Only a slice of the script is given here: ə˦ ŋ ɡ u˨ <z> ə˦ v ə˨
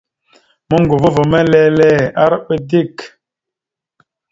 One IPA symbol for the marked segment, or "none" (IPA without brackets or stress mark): v